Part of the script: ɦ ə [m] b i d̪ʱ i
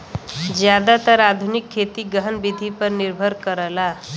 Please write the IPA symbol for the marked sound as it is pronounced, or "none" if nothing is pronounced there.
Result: n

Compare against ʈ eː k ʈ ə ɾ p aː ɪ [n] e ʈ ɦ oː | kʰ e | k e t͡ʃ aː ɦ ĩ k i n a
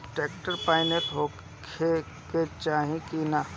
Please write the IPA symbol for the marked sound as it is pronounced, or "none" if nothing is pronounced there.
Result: n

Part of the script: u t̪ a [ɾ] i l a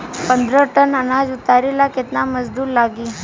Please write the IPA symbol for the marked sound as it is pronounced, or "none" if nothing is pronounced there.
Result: ɾ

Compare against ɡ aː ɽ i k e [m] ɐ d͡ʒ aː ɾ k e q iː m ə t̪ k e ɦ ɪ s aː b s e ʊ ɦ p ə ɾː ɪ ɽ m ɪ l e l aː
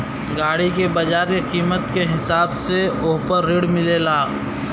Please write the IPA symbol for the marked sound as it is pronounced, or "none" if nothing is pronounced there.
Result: b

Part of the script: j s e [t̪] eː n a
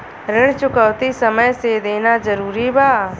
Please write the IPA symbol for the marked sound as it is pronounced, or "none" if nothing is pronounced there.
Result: d̪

